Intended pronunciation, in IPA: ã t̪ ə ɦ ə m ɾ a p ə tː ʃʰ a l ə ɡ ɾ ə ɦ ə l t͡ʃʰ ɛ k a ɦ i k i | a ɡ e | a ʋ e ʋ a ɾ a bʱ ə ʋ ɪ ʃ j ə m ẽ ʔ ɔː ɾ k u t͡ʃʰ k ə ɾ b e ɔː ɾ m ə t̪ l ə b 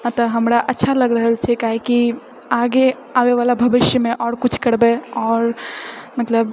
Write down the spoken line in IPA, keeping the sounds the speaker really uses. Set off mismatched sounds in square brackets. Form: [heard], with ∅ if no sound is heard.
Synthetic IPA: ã t̪ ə ɦ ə m ɾ a [ʔ] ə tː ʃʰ a l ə ɡ ɾ ə ɦ ə l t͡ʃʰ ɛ k a ɦ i k i | a ɡ e | a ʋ e ʋ a [l] a bʱ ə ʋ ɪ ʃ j ə m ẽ ʔ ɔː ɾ k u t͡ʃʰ k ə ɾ b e ɔː ɾ m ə t̪ l ə b